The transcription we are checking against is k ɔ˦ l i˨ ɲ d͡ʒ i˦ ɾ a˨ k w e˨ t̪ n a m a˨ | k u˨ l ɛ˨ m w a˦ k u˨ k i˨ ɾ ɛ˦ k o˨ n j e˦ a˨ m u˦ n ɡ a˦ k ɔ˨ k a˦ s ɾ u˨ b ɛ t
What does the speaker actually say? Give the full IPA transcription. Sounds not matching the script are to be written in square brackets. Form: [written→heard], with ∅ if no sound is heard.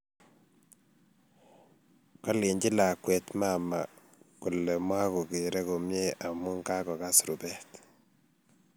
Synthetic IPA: k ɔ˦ l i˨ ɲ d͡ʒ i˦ [ɾ→l] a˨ k w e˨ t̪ [n→m] a m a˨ | k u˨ l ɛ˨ m w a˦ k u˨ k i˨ ɾ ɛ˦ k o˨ [n→m] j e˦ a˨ m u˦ [n→ŋ] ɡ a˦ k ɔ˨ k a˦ s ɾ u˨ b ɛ t